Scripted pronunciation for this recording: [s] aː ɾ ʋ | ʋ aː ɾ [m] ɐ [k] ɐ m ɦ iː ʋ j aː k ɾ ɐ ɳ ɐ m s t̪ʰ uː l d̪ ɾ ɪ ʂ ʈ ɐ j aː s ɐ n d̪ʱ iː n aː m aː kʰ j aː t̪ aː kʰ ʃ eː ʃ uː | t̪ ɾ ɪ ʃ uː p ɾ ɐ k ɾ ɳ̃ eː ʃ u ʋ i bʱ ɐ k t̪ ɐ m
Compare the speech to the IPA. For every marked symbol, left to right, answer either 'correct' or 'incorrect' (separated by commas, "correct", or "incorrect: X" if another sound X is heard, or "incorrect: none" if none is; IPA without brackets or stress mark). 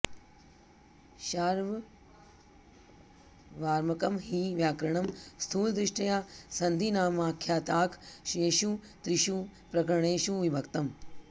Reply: incorrect: ʃ, correct, correct